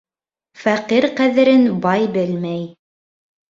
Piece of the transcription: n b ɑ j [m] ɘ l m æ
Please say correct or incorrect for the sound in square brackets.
incorrect